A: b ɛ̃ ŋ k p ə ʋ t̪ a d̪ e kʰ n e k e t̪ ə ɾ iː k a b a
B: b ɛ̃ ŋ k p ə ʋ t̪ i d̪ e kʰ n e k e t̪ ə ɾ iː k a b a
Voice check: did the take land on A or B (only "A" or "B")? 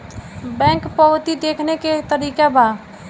B